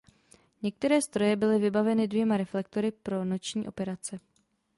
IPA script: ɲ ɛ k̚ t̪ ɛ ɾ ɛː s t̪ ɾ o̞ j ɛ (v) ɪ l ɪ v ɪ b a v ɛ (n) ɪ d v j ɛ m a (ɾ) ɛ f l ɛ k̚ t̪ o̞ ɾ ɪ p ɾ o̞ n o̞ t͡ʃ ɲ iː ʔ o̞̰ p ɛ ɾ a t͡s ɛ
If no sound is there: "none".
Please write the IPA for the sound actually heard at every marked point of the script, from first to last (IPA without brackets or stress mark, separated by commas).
b, n, ɾ